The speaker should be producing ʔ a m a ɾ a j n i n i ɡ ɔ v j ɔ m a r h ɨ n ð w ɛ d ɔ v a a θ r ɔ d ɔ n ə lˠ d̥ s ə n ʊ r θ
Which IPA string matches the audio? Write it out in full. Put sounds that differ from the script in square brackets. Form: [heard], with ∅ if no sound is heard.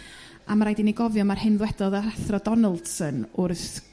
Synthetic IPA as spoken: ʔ a m a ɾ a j [d] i n i ɡ ɔ v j ɔ m a r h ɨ n ð w ɛ d ɔ [ð] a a θ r ɔ d ɔ n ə lˠ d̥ s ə n ʊ r θ